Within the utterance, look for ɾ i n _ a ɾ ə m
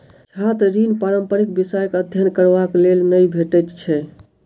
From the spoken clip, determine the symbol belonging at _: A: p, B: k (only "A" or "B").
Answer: A